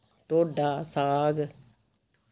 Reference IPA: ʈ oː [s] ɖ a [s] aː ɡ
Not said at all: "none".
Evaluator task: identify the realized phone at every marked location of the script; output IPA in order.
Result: none, s

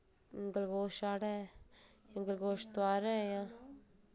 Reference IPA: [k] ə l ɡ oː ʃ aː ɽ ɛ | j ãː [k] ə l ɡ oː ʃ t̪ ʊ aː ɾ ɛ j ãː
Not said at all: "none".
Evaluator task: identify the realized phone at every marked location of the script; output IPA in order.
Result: ɡ, ɡ

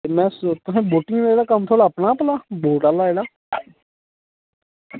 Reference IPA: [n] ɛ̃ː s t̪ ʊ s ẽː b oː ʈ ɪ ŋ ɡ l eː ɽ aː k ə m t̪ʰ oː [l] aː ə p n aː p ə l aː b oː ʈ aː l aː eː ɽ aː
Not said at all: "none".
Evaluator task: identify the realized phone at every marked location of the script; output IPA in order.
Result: m, ɽ

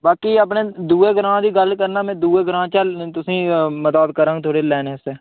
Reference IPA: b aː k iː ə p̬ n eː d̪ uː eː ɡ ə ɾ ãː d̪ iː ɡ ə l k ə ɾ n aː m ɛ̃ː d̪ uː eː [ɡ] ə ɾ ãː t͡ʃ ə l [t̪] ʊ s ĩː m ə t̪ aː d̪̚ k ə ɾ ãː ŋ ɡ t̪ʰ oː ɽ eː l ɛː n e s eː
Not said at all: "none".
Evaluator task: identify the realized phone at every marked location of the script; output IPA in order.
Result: ɡ, t̪

